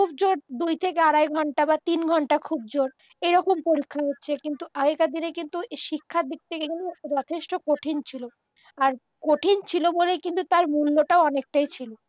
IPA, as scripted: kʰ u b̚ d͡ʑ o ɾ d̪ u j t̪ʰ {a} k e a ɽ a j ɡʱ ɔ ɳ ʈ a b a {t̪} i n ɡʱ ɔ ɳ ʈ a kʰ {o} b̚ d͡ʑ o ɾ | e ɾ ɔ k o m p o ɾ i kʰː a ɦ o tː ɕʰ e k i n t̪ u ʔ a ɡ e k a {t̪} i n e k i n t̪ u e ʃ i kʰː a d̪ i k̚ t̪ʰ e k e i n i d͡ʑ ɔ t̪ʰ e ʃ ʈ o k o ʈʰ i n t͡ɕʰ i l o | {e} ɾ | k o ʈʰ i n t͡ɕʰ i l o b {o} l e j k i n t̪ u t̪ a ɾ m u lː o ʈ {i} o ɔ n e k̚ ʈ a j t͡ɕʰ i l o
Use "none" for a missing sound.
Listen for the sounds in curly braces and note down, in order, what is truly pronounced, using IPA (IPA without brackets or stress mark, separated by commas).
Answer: e, t̪, u, d̪, a, o, a